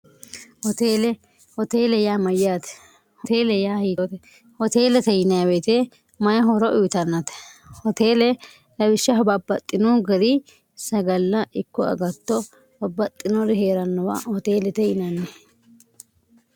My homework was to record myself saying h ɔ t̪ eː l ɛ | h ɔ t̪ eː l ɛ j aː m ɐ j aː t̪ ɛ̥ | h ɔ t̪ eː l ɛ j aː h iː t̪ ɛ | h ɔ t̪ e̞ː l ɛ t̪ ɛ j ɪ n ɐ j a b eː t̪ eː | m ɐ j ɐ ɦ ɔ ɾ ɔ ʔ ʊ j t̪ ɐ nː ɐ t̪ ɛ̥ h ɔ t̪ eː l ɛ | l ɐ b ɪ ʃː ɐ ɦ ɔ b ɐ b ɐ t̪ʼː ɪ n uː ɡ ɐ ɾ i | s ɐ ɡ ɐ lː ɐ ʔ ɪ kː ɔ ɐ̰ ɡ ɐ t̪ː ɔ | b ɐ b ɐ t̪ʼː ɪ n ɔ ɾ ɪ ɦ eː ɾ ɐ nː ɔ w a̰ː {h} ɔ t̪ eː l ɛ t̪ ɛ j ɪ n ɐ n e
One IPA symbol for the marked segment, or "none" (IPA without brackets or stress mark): h